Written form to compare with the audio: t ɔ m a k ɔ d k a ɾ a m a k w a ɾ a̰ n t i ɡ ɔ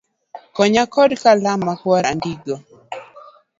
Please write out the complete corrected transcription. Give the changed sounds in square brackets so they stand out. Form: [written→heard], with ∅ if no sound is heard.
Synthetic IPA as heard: [t→k] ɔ [m→ɲ] a k ɔ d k a [ɾ→l] a m a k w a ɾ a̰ n [t→d] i ɡ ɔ